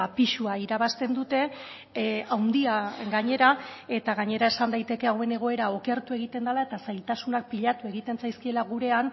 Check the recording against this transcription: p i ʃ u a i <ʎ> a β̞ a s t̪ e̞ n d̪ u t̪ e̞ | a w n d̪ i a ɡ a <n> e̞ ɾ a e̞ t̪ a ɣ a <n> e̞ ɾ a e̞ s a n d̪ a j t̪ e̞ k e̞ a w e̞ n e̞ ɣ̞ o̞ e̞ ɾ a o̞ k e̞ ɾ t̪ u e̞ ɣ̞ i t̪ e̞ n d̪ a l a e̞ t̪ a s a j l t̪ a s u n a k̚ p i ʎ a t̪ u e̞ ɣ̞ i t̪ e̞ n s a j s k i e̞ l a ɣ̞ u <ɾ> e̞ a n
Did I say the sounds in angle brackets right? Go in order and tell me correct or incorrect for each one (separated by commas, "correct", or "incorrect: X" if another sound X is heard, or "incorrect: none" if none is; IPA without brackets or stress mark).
incorrect: ɾ, incorrect: ɲ, incorrect: ɲ, correct